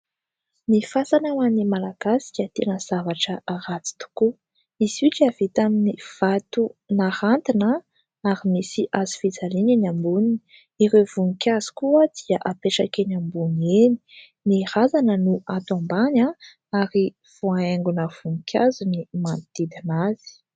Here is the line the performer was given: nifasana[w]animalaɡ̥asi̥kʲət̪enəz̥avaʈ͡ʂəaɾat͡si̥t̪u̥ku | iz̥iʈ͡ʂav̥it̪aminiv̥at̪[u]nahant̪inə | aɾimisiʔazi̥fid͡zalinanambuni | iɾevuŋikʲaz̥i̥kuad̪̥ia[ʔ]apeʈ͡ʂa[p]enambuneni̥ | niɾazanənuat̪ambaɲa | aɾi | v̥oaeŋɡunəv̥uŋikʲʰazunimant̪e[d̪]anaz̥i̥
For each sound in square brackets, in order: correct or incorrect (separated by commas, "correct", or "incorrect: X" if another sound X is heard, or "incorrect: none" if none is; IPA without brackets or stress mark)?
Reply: correct, correct, correct, incorrect: k, correct